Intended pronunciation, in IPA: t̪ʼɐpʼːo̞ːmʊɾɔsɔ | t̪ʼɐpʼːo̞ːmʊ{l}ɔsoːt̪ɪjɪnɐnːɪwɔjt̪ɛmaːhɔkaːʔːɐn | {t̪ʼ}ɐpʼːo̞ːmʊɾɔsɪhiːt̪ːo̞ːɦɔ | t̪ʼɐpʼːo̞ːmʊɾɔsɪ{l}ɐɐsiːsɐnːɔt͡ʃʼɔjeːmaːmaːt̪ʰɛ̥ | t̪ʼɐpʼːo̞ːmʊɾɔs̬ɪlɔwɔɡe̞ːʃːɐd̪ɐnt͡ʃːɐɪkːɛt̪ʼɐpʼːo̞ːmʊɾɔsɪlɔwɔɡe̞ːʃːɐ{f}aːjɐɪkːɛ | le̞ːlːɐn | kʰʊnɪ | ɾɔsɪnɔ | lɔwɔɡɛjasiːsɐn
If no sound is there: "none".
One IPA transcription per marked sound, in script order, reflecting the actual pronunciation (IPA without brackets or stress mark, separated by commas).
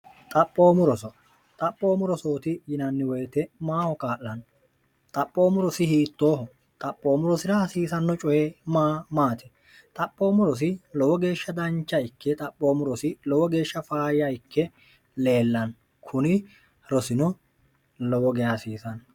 ɾ, t̪ʼ, ɾ, f